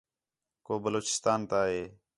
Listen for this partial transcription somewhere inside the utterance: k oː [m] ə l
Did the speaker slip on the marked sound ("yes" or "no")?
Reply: yes